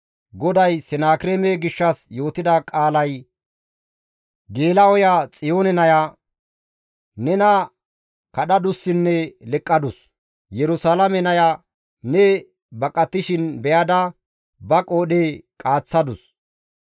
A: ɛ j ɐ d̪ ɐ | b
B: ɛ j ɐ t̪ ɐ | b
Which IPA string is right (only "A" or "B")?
A